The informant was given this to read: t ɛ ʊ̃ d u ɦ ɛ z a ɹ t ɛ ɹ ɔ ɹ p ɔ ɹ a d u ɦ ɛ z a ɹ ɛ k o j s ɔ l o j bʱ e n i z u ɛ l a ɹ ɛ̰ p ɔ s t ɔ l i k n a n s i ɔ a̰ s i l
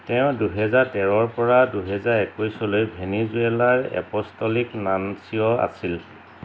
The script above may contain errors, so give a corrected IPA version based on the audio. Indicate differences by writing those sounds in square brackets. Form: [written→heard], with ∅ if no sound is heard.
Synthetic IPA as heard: t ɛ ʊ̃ d u ɦ ɛ z a ɹ t ɛ ɹ ɔ ɹ p ɔ ɹ a d u ɦ ɛ z a ɹ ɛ k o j s ɔ l o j bʱ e n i z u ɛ l a ɹ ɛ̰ p ɔ s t ɔ l i k n a n s i ɔ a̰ s i l